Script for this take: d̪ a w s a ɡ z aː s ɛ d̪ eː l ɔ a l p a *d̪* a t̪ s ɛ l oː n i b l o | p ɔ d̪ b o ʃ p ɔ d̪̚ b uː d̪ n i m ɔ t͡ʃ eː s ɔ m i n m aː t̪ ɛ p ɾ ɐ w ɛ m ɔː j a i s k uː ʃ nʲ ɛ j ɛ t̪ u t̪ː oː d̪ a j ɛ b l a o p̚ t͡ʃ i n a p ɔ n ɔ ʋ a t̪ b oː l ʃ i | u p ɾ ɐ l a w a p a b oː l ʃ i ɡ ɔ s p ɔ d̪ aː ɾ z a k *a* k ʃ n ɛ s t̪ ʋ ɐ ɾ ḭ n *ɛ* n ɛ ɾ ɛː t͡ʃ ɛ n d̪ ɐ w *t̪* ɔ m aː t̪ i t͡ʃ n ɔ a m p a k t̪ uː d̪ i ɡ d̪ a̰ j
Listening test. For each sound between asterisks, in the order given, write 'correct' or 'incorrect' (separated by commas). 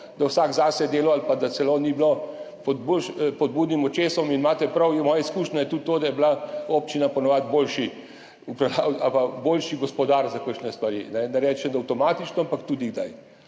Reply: correct, incorrect, correct, correct